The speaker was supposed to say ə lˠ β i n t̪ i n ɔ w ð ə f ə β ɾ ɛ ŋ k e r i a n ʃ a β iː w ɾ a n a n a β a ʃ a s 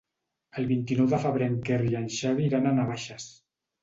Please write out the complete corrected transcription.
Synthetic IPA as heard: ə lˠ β i n t̪ i n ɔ w ð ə f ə β ɾ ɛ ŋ k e r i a n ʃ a β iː ɾ a n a n a β a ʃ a s